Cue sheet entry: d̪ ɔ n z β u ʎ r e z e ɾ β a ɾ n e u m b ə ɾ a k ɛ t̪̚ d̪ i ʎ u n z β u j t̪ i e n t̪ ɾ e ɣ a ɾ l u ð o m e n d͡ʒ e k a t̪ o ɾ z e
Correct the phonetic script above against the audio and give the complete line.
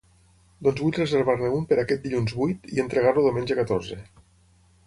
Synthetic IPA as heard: d̪ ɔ n z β u ʎ r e z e ɾ β a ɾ n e u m p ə ɾ a k ɛ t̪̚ d̪ i ʎ u n z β u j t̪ i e n t̪ ɾ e ɣ a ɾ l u ð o m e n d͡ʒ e k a t̪ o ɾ z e